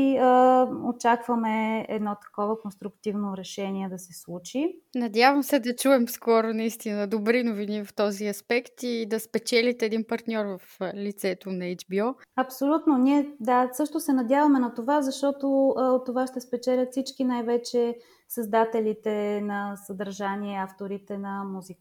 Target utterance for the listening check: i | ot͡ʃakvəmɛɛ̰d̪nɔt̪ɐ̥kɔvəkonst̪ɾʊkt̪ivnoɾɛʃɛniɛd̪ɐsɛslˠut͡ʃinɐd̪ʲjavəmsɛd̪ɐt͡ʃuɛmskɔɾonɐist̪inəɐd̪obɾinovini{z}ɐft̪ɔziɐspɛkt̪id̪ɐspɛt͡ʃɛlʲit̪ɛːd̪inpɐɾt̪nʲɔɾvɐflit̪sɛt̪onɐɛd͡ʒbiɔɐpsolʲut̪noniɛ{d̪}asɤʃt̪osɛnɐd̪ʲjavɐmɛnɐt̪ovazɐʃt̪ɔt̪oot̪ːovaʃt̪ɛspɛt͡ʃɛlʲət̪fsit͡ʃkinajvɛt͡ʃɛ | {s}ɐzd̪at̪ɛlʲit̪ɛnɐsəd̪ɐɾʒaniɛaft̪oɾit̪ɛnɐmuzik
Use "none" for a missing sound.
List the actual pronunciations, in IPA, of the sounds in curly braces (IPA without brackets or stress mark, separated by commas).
v, d̪, s